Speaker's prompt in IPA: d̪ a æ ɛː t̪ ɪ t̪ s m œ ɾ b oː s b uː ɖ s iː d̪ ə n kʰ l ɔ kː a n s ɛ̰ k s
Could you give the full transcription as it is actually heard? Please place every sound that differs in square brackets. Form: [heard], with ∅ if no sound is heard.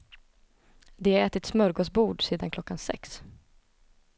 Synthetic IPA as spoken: d̪ [ɛ] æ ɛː t̪ ɪ t̪ s m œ ɾ [ɡ] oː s b uː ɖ s iː d̪ [a] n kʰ l ɔ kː a n s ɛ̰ k s